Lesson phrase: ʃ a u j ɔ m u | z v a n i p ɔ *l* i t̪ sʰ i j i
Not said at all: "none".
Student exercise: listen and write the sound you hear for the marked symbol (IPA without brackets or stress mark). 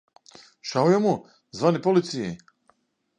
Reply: l